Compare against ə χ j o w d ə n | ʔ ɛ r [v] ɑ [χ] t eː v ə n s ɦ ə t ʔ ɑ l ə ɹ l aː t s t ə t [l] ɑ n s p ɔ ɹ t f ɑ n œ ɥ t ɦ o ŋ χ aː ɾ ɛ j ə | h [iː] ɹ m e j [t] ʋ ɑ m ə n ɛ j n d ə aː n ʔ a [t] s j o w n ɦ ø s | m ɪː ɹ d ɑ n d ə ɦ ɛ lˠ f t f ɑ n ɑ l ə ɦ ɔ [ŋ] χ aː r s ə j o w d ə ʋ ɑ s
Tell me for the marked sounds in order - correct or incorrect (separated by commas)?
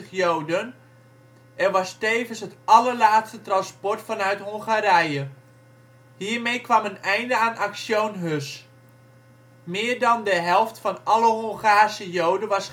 incorrect, incorrect, incorrect, correct, incorrect, incorrect, correct